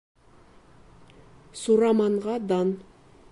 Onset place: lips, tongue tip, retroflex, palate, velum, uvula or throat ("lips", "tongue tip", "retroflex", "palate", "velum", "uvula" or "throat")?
tongue tip